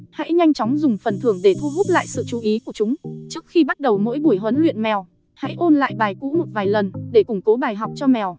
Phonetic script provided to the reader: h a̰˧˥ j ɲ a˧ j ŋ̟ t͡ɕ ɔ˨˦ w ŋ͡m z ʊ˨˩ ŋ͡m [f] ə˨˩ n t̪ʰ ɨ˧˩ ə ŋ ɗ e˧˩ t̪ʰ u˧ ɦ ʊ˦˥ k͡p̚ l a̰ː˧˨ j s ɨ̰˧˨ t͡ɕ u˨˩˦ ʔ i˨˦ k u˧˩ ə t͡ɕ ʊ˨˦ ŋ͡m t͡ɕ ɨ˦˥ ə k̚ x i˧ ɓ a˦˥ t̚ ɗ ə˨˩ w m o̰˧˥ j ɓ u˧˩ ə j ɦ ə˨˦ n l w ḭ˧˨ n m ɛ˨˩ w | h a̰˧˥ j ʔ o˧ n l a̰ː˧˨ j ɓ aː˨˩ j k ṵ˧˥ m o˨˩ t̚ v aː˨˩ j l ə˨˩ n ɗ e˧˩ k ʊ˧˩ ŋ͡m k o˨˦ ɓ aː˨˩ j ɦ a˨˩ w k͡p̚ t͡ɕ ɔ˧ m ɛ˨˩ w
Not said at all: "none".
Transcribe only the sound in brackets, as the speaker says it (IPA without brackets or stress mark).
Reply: f